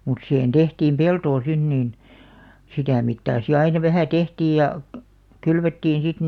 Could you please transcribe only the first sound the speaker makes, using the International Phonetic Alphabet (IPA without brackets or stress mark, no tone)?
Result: m